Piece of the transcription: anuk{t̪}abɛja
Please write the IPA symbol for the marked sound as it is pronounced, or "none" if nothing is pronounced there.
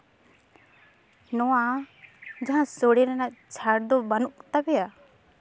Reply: t̪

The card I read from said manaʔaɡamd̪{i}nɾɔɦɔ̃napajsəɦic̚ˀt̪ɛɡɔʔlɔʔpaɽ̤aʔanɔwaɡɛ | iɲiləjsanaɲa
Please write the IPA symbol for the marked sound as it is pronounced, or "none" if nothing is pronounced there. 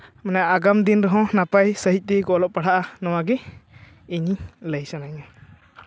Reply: i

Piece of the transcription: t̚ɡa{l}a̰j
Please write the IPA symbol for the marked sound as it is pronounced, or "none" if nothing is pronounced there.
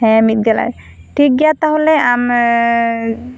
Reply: l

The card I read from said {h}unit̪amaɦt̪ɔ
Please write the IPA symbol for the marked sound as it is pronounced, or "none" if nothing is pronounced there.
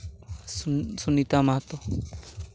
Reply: s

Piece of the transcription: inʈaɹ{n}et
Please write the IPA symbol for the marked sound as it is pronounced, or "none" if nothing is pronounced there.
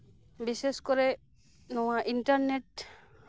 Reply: n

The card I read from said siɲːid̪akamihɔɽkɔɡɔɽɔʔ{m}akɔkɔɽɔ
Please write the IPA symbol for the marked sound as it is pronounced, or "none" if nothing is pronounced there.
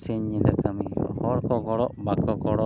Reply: b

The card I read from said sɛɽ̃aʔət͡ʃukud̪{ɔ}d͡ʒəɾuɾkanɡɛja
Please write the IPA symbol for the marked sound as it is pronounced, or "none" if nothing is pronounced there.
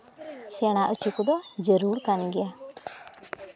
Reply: ɔ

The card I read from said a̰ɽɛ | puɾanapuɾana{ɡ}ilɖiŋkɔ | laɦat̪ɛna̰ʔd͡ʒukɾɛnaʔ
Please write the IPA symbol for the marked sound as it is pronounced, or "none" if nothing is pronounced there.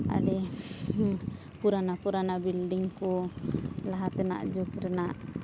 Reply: b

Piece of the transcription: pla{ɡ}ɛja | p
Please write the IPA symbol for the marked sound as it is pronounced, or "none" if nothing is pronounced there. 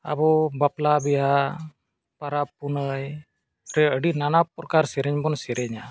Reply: b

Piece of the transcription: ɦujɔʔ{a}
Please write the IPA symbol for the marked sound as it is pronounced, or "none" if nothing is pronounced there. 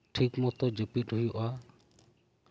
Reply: a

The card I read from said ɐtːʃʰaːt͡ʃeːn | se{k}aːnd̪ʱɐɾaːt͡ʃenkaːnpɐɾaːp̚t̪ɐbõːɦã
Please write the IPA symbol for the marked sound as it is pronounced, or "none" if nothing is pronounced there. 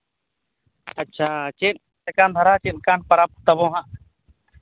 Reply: k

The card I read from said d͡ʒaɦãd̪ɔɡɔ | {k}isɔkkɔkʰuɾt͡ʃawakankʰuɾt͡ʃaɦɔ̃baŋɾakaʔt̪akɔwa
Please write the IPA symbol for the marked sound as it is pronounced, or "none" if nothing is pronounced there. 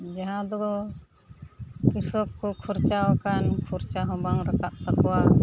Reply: k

